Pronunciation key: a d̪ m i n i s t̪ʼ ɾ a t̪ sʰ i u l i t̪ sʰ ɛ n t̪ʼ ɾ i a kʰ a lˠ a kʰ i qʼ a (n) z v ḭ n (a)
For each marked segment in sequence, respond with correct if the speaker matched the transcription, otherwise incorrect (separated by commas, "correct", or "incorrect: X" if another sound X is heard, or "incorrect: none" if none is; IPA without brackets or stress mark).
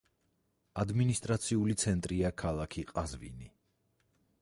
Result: incorrect: none, incorrect: i